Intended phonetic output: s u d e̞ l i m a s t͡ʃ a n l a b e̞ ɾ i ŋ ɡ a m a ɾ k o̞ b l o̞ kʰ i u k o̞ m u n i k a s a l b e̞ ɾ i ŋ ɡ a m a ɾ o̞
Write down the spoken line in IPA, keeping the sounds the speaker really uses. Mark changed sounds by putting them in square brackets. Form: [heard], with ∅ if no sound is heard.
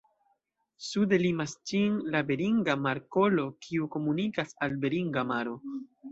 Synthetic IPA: s u d e̞ l i m a s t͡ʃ [i] n l a b e̞ ɾ i ŋ ɡ a m a ɾ k o̞ [∅] l o̞ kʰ i u k o̞ m u n i k a s a l b e̞ ɾ i ŋ ɡ a m a ɾ o̞